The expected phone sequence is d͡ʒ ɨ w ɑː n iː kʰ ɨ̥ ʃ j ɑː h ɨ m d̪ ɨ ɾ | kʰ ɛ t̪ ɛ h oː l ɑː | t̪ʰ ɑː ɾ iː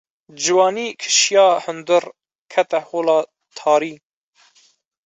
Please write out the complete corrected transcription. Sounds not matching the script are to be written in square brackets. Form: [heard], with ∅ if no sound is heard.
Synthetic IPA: d͡ʒ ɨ w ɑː n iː kʰ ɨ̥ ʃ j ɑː h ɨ [n] d̪ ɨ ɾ | kʰ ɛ t̪ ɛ h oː l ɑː | t̪ʰ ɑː ɾ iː